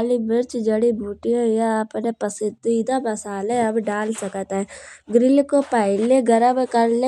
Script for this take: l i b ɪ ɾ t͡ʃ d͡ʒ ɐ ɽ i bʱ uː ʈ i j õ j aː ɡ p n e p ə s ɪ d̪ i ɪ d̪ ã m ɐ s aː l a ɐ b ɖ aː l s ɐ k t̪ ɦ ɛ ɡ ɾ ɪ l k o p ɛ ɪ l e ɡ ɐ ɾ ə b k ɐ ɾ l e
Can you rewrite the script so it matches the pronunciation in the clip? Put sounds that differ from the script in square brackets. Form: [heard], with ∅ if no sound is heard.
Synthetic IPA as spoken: l i b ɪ ɾ t͡ʃ d͡ʒ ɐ ɽ i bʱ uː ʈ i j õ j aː [∅] p n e p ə s ɪ d̪ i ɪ d̪ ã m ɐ s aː l [e] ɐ b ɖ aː l s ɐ k t̪ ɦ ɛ ɡ ɾ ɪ l k o p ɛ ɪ l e ɡ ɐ ɾ ə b k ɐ ɾ l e